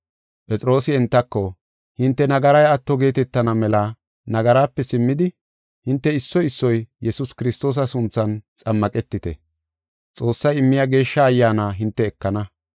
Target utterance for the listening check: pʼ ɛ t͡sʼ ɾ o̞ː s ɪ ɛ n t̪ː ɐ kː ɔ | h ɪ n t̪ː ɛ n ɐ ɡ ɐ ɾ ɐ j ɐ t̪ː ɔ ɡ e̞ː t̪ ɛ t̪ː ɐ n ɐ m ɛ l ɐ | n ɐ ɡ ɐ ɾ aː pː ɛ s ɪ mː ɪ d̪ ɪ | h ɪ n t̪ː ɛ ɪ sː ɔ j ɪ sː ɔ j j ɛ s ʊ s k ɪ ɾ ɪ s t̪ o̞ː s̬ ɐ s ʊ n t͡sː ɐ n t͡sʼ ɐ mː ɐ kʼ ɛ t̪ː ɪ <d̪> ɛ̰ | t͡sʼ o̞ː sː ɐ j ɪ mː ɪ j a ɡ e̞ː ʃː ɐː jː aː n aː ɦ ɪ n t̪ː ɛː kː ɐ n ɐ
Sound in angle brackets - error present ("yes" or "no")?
yes